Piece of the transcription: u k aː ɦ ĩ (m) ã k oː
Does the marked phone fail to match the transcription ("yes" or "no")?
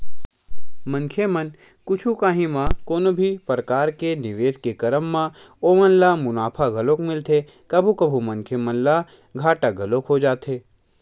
no